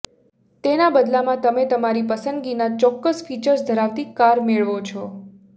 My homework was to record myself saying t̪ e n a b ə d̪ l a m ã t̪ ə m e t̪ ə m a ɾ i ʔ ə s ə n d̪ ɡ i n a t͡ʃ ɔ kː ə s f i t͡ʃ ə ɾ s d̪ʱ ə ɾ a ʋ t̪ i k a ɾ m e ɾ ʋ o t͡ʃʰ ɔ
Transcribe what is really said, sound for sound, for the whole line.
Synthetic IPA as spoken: t̪ e n a b ə d̪ l a m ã t̪ ə m e t̪ ə m a ɾ i p ə s ə n d̪ ɡ i n a t͡ʃ ɔ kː ə s f i t͡ʃ ə ɾ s d̪ʱ ə ɾ a ʋ t̪ i k a ɾ m e ɭ ʋ o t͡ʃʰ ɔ